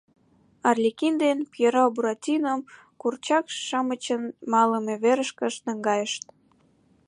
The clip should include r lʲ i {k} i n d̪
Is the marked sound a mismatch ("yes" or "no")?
no